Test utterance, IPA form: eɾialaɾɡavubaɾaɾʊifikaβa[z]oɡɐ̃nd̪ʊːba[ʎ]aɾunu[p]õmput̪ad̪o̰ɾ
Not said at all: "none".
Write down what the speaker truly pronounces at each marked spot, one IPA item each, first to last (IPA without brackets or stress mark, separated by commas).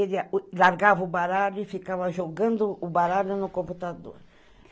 ʒ, ɾ, k